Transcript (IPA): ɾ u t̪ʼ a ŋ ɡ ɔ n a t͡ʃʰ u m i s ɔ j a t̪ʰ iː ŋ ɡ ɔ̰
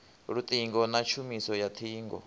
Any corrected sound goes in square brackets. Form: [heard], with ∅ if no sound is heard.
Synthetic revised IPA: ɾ u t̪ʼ [i] ŋ ɡ ɔ n a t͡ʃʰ u m i s ɔ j a t̪ʰ iː ŋ ɡ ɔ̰